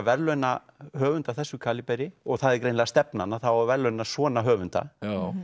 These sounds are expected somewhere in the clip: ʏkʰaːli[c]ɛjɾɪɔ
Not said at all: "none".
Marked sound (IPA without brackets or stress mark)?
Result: p